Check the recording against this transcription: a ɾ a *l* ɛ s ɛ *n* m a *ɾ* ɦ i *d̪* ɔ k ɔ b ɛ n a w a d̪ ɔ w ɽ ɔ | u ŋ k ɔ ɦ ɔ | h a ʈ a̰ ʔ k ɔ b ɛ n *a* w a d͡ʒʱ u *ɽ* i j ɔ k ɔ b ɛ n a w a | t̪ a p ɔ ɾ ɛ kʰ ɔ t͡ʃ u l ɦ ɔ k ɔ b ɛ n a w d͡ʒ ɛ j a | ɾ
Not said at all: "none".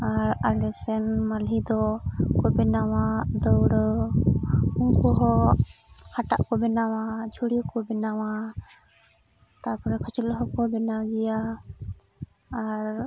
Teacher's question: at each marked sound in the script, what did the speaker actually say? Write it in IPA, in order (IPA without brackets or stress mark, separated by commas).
l, n, l, d̪, a, ɽ